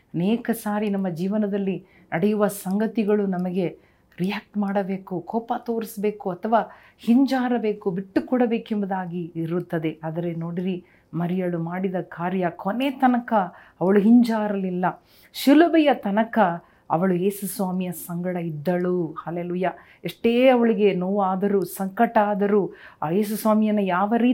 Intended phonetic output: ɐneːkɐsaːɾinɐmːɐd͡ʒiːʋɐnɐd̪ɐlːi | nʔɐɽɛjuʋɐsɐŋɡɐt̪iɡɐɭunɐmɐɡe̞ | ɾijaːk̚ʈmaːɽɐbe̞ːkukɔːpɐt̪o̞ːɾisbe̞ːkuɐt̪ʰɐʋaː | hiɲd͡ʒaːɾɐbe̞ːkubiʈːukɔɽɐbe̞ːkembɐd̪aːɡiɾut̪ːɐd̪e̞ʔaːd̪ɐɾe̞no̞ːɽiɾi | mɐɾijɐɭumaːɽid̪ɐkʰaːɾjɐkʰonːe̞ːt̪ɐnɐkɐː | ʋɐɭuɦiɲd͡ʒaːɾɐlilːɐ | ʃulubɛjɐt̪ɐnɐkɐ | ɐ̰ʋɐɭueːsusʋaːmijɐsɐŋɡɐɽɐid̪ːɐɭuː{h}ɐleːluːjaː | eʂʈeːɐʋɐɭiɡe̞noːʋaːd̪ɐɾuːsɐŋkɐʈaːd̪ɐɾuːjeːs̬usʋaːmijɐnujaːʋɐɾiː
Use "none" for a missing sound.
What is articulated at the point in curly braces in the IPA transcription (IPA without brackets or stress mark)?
h